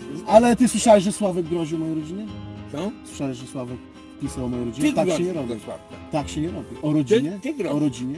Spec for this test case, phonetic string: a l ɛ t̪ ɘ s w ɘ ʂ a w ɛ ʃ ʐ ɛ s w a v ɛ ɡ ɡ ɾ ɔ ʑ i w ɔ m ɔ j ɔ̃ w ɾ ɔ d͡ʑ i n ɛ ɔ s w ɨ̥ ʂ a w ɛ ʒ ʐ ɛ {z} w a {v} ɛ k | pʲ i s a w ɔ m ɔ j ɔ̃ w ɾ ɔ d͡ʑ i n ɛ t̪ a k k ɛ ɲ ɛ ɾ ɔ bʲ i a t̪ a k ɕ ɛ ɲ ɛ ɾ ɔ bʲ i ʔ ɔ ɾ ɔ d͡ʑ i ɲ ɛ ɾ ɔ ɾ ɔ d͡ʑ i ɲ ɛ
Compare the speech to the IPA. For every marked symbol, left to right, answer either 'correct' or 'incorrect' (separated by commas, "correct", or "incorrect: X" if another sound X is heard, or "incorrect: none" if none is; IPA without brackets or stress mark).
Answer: incorrect: s, correct